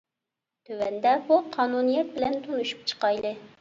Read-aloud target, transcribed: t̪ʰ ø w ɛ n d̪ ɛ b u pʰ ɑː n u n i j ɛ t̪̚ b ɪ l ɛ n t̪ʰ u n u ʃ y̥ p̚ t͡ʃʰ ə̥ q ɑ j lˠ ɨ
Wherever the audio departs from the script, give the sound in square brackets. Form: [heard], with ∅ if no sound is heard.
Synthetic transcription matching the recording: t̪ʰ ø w ɛ n d̪ ɛ b u [qʰ] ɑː n u n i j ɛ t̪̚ b ɪ l ɛ n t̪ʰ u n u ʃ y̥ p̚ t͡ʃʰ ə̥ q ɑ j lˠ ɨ